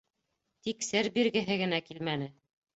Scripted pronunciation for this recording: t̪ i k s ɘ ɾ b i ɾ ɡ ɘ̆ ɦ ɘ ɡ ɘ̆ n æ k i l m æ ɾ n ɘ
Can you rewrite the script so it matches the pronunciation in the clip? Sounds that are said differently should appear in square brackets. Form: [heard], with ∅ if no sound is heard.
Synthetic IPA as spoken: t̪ i k s ɘ ɾ b i ɾ ɡ ɘ̆ ɦ ɘ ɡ ɘ̆ n æ k i l m æ [∅] n ɘ